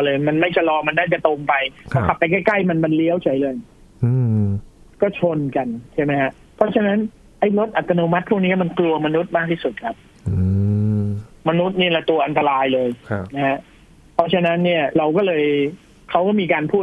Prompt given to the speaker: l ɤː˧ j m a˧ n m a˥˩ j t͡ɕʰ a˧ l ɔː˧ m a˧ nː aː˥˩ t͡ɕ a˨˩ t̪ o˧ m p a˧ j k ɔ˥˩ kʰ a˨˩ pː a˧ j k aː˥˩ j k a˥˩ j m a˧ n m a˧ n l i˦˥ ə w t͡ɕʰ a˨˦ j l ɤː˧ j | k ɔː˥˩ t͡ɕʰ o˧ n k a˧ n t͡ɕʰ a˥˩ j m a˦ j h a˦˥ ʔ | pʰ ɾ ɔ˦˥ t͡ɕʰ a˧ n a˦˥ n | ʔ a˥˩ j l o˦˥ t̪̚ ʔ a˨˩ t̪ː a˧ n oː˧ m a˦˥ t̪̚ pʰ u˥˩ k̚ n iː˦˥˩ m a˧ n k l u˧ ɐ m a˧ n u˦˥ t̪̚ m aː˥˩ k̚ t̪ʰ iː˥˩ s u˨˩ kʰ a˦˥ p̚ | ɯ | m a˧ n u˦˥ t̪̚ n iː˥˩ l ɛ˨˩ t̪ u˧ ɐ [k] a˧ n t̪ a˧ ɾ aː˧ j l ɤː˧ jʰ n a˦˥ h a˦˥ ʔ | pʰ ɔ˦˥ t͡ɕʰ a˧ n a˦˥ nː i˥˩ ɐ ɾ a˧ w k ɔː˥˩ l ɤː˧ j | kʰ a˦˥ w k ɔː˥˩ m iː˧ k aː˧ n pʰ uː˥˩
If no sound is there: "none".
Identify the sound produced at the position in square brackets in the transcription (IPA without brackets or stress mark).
ʔ